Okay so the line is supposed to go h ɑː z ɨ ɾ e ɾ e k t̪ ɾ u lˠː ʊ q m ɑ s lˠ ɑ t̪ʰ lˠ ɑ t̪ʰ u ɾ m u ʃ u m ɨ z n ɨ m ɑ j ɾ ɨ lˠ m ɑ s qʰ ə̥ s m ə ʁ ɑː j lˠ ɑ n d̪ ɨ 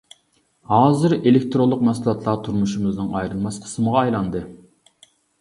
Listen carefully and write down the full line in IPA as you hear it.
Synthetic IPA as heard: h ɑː z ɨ ɾ e l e k t̪ ɾ o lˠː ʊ q m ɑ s lˠ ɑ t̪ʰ lˠ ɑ t̪ʰ u ɾ m u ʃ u m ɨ z n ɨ ŋ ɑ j ɾ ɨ lˠ m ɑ s qʰ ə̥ s m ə ʁ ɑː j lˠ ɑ n d̪ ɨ